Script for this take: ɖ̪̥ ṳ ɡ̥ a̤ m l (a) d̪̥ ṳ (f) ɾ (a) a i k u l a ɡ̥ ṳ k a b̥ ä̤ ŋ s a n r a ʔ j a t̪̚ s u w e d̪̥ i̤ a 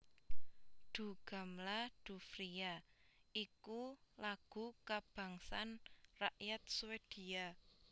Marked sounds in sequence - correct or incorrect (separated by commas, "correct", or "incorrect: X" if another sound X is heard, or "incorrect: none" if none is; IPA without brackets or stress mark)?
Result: correct, correct, incorrect: i